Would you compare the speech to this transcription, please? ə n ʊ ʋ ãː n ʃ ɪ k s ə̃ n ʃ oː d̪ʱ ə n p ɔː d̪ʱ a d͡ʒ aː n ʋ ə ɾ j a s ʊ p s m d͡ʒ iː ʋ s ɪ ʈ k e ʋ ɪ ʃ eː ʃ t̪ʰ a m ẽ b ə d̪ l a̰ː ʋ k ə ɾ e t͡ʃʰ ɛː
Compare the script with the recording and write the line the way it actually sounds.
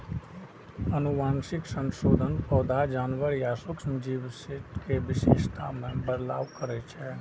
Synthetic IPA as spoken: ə n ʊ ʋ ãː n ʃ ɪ k s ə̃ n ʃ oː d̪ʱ ə n p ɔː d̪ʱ a d͡ʒ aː n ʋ ə ɾ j a s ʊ k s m d͡ʒ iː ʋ s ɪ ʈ k e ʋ ɪ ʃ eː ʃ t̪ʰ a m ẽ b ə d̪ l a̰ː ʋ k ə ɾ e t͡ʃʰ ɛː